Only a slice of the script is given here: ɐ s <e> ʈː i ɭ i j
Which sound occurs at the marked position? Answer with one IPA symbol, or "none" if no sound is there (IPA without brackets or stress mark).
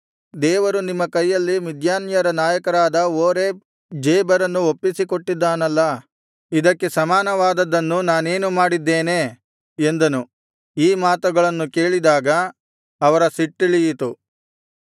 i